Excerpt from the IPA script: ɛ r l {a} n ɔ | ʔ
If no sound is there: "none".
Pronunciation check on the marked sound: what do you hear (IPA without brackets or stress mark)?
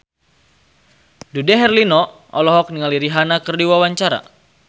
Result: i